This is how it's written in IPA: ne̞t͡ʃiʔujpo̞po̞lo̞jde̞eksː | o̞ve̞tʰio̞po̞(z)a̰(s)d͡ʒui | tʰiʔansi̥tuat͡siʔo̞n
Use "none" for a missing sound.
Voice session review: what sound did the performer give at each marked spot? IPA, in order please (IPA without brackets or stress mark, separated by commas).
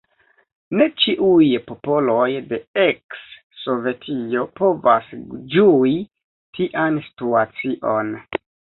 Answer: v, s